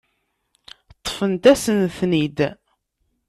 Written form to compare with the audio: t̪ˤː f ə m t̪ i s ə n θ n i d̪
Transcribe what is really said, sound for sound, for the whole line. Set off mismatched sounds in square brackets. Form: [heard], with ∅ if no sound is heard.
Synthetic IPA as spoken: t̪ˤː f ə [n] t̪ [æ] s ə n θ n i d̪